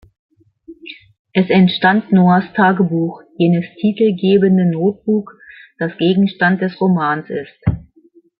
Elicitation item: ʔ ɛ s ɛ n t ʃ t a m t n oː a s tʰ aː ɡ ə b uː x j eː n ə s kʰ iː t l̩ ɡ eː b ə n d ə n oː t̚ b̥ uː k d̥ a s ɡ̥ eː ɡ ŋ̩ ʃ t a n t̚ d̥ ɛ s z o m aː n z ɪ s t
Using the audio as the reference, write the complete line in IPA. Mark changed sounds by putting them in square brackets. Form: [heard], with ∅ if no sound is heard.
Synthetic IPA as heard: ʔ ɛ s ɛ n t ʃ t a [n] t n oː a s tʰ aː ɡ ə b uː x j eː n ə s [tʰ] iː t l̩ ɡ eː b ə n d ə n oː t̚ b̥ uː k d̥ a s ɡ̥ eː ɡ ŋ̩ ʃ t a n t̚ d̥ ɛ s [ʁ] o m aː n [s] ɪ s t

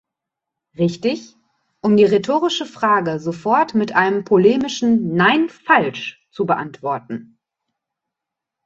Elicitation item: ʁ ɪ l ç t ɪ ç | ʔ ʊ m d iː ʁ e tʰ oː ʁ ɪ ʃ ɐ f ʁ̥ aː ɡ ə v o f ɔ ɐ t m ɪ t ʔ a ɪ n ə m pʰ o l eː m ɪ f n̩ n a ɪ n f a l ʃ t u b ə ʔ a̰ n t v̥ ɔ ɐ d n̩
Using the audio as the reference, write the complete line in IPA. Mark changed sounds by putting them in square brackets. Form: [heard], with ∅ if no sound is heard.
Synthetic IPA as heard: ʁ ɪ [∅] ç t ɪ ç | ʔ ʊ m d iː ʁ e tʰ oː ʁ ɪ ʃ [ə] f ʁ̥ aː ɡ ə [z] o f ɔ ɐ t m ɪ t ʔ a ɪ n ə m pʰ o l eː m ɪ [ʃ] n̩ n a ɪ n f a l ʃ [t͡s] u b ə ʔ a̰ n t v̥ ɔ ɐ [t] n̩

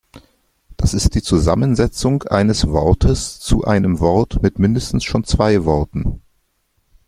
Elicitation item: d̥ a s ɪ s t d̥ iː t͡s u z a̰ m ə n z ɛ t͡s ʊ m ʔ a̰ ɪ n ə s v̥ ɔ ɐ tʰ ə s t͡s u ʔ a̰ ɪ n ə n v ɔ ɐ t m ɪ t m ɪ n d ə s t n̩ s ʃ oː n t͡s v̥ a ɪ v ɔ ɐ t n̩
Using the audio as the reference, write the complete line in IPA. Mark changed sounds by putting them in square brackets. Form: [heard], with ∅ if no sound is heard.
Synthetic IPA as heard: d̥ a s ɪ s t d̥ iː t͡s u z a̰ m ə n z ɛ t͡s ʊ [ŋ] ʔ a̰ ɪ n ə s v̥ ɔ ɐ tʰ ə s t͡s u ʔ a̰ ɪ n ə [m] v ɔ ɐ t m ɪ t m ɪ n d ə s t n̩ s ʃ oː n t͡s v̥ a ɪ v ɔ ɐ t n̩

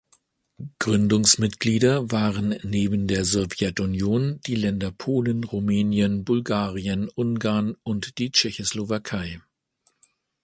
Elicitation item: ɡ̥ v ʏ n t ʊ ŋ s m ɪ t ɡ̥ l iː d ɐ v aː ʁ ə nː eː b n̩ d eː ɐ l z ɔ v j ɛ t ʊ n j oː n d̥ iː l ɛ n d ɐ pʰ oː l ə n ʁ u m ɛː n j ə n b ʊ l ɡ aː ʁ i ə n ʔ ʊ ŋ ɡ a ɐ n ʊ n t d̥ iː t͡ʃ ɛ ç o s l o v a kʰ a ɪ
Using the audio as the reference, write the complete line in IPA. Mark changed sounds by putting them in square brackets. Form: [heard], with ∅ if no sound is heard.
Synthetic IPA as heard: ɡ̥ [ʁ] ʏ n [d] ʊ ŋ s m ɪ t ɡ̥ l iː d ɐ v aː ʁ ə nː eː b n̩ d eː ɐ [∅] z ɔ v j ɛ t ʊ n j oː n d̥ iː l ɛ n d ɐ pʰ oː l ə n ʁ u m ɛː n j ə n b ʊ l ɡ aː ʁ i ə n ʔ ʊ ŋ ɡ a ɐ n ʊ n t d̥ iː t͡ʃ ɛ ç o s l o v a kʰ a ɪ

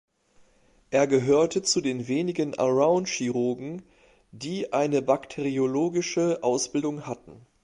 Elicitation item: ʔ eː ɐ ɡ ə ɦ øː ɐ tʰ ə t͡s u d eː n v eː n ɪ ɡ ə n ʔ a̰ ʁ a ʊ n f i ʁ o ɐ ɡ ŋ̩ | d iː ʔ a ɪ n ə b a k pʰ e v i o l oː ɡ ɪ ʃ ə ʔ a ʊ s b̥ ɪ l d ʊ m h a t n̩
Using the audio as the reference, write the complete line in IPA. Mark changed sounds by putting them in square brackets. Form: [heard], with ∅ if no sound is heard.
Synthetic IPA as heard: ʔ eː ɐ ɡ ə ɦ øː ɐ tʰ ə t͡s u d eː n v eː n ɪ ɡ ə n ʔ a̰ ʁ a ʊ n [ʃ] i ʁ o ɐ ɡ ŋ̩ | d iː ʔ a ɪ n ə b a k [tʰ] e [ʁ] i o l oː ɡ ɪ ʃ ə ʔ a ʊ s b̥ ɪ l d ʊ [ŋ] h a t n̩

